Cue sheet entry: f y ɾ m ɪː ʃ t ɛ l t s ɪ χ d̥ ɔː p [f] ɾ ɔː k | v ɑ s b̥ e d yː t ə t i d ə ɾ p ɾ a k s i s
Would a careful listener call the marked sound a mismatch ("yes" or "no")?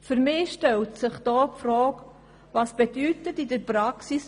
no